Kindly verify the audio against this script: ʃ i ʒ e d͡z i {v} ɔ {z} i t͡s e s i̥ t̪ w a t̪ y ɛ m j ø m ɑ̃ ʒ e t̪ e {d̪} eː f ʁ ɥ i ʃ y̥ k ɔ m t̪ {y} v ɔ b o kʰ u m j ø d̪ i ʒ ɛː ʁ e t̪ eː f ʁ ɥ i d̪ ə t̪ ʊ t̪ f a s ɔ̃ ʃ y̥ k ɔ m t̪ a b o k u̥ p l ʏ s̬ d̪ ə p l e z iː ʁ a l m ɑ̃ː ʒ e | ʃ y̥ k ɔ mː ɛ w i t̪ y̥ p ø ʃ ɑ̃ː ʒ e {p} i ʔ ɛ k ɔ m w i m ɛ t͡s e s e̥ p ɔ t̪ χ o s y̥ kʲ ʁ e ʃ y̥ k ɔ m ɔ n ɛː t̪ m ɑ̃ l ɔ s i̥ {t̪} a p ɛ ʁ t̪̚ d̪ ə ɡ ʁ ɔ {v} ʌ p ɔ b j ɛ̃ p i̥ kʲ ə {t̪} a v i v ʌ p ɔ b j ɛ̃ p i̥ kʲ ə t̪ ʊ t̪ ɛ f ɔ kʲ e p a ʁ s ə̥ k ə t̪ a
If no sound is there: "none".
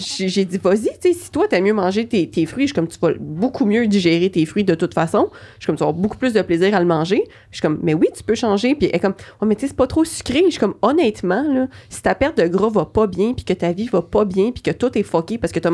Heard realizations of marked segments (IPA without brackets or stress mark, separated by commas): v, z, t̪, y, p, t̪, v, t̪